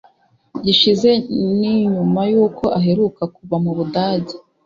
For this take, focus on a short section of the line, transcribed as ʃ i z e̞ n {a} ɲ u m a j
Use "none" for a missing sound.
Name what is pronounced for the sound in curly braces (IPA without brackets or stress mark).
i